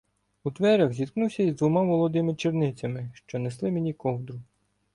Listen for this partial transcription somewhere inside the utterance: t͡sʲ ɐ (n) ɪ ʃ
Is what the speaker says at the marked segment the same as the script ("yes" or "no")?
no